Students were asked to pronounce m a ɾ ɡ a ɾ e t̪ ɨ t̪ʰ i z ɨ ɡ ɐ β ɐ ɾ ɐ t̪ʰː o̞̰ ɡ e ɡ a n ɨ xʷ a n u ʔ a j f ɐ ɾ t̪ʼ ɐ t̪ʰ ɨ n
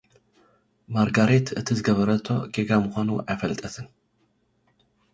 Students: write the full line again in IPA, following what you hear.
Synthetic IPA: m a ɾ ɡ a ɾ e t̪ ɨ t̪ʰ i z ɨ ɡ ɐ β ɐ ɾ ɐ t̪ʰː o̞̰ ɡ e ɡ a m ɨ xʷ a n u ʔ a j f ɐ l t̪ʼ ɐ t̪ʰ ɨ n